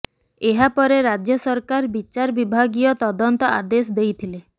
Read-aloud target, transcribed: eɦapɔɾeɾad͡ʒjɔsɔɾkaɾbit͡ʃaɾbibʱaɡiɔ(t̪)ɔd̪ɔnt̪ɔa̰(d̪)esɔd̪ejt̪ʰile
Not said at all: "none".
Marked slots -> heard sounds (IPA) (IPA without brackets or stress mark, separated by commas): t̪, d̪